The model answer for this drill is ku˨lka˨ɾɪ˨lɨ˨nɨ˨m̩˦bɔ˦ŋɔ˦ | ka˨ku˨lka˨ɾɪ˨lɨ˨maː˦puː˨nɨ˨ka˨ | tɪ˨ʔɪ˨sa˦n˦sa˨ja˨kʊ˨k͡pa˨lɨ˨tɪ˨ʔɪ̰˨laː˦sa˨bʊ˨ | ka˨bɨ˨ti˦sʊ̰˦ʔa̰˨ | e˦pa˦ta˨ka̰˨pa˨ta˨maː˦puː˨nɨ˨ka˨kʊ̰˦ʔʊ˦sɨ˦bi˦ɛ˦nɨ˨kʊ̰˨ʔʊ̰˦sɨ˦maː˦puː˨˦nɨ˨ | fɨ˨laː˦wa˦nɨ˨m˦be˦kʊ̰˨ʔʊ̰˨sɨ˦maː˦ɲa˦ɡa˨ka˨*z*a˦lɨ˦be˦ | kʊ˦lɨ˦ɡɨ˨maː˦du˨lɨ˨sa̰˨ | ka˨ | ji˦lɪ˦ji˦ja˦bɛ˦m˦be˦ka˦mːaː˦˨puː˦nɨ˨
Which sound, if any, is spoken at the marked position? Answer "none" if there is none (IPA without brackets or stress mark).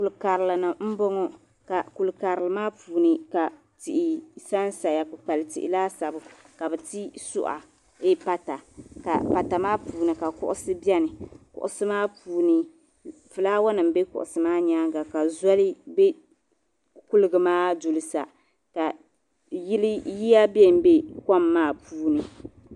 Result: z